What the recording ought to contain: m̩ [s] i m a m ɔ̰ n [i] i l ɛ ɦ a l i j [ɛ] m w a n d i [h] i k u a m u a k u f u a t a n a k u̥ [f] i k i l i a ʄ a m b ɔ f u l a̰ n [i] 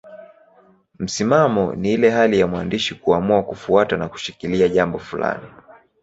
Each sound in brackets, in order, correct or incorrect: correct, correct, incorrect, incorrect, incorrect, correct

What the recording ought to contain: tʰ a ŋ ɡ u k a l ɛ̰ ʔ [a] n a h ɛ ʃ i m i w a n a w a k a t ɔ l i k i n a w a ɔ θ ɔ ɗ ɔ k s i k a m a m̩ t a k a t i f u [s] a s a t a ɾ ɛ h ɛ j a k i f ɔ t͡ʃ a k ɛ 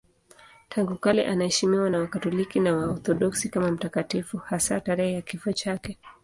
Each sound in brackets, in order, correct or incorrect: correct, incorrect

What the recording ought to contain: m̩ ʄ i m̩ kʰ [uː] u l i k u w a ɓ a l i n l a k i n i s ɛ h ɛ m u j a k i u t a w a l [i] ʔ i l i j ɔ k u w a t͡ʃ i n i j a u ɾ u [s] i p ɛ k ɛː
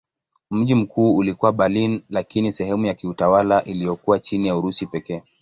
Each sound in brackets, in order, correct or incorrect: correct, incorrect, correct

